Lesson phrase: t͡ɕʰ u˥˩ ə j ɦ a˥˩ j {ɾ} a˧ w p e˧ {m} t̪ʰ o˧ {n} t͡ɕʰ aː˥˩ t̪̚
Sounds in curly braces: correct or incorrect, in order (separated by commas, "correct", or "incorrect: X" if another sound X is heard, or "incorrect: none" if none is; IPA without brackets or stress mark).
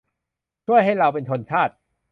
correct, incorrect: n, correct